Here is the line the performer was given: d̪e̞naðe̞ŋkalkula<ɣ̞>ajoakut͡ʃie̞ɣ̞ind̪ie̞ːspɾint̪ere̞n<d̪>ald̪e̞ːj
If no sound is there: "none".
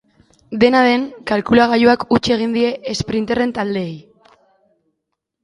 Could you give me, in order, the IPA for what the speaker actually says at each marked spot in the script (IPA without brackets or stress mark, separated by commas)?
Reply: ɣ̞, t̪